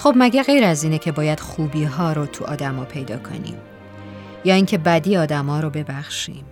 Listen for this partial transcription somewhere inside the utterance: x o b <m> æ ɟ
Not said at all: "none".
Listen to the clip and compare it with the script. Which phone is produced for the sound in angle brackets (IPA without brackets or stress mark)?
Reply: m